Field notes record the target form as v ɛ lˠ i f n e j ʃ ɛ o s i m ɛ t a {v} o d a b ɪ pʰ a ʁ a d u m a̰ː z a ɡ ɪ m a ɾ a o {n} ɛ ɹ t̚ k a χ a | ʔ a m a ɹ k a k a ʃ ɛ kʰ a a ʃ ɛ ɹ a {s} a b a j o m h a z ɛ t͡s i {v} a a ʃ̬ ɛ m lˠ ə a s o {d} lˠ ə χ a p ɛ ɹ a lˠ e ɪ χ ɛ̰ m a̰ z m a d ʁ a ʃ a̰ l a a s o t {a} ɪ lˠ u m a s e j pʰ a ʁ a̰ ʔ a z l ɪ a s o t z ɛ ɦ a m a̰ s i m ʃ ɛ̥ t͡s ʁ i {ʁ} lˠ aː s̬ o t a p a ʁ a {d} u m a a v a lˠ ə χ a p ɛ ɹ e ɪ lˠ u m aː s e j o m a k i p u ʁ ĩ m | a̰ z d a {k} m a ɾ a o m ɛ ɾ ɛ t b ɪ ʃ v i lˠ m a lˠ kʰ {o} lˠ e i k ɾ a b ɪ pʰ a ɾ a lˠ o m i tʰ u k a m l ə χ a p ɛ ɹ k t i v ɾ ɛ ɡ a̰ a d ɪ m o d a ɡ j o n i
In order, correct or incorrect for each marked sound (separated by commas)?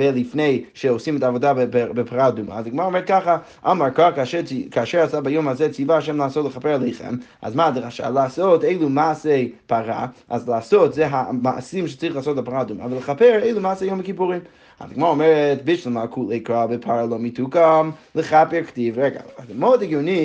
correct, incorrect, correct, correct, incorrect, incorrect, incorrect, correct, incorrect, incorrect